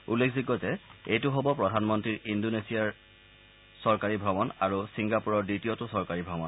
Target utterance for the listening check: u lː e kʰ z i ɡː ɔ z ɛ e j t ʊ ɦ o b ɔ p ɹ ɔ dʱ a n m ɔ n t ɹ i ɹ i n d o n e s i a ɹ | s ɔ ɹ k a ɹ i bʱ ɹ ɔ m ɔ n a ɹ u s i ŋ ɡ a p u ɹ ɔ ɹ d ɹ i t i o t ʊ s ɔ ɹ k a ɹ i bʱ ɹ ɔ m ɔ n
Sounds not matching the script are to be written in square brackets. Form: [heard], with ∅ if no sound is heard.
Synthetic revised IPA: u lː e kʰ z i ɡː ɔ z ɛ e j t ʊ ɦ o b ɔ p ɹ ɔ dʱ a n m ɔ n t ɹ i ɹ i n d o n e s i a ɹ | s ɔ ɹ k a ɹ i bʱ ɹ ɔ m ɔ n a ɹ u s i ŋ ɡ a p u ɹ ɔ ɹ d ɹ i t i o t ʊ s ɔ ɹ k a ɹ i bʱ ɹ ɔ m ɔ n